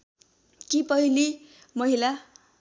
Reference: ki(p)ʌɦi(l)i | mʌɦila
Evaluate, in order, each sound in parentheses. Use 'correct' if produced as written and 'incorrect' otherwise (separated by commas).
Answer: correct, correct